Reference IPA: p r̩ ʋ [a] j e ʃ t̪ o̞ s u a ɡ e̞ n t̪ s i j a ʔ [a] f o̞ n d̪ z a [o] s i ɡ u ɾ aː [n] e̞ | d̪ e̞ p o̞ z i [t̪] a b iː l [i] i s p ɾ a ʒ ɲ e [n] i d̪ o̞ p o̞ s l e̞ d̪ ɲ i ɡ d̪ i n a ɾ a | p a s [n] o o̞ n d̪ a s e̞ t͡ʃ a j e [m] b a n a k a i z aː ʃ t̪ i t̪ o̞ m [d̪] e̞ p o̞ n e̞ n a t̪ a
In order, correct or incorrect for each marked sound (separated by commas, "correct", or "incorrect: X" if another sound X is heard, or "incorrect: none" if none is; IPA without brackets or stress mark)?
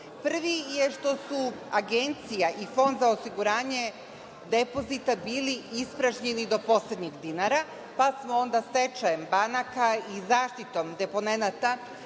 incorrect: i, incorrect: i, correct, incorrect: ɲ, correct, correct, correct, incorrect: m, correct, correct